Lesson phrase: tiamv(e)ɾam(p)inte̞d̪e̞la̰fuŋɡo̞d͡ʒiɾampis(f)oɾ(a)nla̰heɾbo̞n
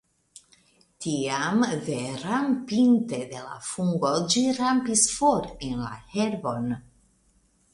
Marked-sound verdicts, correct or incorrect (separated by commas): correct, correct, correct, incorrect